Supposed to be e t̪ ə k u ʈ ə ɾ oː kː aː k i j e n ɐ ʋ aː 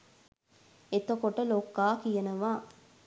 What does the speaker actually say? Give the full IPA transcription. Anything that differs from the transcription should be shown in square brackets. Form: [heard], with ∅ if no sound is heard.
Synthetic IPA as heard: e t̪ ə k [o] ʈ ə [l] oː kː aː k i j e n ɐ ʋ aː